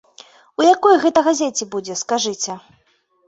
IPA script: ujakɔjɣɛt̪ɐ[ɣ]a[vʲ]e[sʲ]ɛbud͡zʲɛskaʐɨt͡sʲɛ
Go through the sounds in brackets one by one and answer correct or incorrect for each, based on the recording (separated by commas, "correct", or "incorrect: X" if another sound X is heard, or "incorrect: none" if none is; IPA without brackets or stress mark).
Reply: correct, incorrect: zʲ, incorrect: t͡sʲ